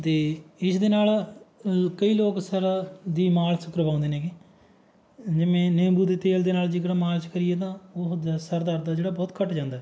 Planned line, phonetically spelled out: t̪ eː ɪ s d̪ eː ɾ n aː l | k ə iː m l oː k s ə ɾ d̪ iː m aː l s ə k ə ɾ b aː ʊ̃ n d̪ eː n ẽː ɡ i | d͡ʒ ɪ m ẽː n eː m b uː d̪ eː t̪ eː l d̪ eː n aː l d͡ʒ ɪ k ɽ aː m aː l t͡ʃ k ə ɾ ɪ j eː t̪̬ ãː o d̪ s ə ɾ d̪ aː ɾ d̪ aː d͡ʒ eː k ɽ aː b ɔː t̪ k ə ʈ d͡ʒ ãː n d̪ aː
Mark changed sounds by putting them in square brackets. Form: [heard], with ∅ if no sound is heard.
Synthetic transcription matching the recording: t̪ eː ɪ s d̪ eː [∅] n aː l | k ə iː [∅] l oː k s ə ɾ d̪ iː m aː l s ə k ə ɾ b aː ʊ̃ n d̪ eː n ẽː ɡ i | d͡ʒ ɪ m ẽː n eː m b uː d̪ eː t̪ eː l d̪ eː n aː l d͡ʒ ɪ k ɽ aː m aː l t͡ʃ k ə ɾ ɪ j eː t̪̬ ãː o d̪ s ə ɾ d̪ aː ɾ d̪ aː d͡ʒ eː [∅] ɽ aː b ɔː t̪ k ə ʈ d͡ʒ ãː n d̪ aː